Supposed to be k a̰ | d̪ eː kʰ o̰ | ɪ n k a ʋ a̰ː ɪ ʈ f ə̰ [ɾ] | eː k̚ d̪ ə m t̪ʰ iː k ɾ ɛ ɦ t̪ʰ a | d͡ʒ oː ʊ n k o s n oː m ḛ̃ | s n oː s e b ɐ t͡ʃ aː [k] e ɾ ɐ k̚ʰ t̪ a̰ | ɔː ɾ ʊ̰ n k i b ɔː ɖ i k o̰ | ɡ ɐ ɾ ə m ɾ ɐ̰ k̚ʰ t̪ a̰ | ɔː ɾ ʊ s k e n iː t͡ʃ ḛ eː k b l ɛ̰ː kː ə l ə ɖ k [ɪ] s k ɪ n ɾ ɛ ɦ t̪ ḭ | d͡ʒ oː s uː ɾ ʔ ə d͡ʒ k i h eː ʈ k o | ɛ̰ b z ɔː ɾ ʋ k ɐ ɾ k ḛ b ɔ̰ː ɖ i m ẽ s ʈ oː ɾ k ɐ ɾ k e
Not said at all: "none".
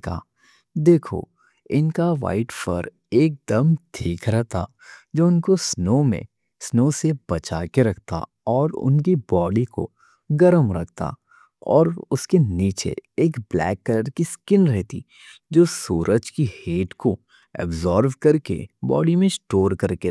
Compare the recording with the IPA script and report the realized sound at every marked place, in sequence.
ɾ, k, i

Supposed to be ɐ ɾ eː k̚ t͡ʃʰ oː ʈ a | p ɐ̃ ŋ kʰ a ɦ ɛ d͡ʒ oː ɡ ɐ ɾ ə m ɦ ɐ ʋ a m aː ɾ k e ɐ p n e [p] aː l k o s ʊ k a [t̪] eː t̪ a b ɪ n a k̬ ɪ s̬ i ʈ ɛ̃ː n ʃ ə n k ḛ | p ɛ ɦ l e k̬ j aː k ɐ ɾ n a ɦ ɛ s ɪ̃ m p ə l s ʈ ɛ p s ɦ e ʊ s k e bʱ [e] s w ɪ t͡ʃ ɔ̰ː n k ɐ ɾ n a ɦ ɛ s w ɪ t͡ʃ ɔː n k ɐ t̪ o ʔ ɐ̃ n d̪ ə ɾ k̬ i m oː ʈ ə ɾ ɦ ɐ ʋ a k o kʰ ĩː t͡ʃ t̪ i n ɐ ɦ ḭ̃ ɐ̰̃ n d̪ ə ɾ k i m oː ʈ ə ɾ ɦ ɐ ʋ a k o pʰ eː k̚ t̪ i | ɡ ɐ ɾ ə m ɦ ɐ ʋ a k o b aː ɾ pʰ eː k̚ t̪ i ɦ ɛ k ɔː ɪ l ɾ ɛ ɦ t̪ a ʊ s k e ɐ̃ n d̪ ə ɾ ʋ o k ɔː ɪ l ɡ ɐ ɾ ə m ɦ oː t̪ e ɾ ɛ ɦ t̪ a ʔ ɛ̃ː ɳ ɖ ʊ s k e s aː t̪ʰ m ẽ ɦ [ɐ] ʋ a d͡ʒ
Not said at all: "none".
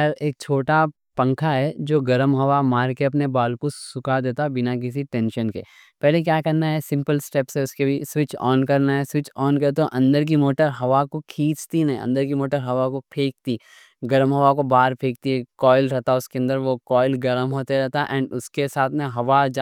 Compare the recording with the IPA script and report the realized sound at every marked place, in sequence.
b, d̪, i, ɐ

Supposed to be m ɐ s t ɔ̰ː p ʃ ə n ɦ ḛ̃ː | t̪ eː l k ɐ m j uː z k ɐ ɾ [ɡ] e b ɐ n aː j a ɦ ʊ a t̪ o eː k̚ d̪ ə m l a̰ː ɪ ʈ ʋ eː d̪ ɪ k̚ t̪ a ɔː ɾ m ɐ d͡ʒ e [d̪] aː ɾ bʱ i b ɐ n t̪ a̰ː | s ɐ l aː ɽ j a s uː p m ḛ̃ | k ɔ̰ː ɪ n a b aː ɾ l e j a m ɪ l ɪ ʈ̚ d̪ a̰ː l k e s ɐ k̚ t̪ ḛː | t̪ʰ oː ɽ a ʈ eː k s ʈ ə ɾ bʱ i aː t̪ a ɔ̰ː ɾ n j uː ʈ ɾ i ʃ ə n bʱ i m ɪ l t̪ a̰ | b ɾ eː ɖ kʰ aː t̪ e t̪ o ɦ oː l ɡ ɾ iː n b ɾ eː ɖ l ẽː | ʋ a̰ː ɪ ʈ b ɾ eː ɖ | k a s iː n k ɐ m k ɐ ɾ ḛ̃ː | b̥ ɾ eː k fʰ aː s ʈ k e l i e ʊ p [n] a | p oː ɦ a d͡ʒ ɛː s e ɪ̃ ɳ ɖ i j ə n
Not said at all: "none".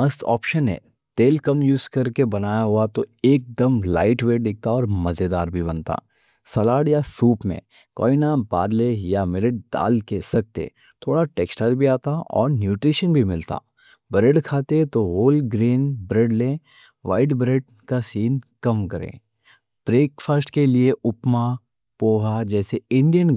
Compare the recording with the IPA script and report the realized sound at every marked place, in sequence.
k, d̪, m

